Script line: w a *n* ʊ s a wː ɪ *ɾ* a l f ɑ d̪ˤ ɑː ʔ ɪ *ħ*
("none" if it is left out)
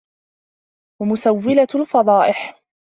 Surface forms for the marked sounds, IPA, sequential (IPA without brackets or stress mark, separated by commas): m, l, ħ